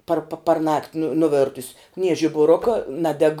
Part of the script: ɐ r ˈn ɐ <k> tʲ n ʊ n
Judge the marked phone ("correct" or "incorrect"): correct